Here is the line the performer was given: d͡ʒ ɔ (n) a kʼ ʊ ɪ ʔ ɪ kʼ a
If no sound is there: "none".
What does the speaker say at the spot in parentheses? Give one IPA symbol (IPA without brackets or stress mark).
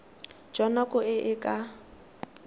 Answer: n